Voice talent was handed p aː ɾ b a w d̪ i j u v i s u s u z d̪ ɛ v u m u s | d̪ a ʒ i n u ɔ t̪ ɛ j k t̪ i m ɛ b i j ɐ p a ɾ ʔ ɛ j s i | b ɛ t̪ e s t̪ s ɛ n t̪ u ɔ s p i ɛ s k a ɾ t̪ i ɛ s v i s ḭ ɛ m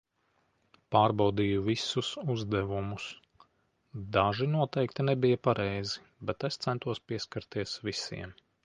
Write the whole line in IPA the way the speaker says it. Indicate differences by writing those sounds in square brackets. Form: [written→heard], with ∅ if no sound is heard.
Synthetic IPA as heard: p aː ɾ b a w d̪ i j u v i s u s u z d̪ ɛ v u m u s | d̪ a ʒ i n u ɔ t̪ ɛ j k t̪ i [m→n] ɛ b i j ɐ p a ɾ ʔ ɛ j [s→z] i | b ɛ t̪ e s t̪ s ɛ n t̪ u ɔ s p i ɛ s k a ɾ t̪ i ɛ s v i s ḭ ɛ m